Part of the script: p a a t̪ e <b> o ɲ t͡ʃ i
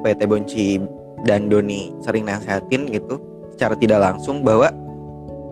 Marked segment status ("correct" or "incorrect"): correct